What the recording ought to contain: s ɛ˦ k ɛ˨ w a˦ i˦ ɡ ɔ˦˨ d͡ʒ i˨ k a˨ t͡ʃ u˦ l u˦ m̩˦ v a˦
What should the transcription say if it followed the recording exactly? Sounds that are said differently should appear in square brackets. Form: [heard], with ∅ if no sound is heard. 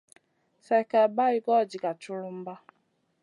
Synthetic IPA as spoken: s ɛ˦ k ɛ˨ [b] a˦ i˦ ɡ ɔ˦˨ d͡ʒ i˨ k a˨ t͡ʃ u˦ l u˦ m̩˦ [b] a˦